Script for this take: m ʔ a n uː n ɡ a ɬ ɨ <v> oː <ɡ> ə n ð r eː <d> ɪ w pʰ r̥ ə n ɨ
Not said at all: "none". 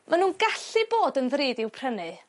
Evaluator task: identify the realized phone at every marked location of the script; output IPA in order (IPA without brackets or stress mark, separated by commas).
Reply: b, d, d